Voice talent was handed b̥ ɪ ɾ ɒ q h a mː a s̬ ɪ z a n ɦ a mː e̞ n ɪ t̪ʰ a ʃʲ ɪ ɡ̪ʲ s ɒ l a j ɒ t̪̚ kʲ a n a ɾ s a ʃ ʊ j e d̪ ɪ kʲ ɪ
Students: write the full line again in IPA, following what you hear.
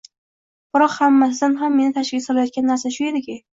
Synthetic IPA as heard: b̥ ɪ ɾ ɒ q h a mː a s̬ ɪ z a n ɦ a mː e̞ n ɪ t̪ʰ a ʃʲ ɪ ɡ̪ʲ s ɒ l a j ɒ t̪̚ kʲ a nː a ɾ s a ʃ ʊ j e d̪ ɪ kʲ ɪ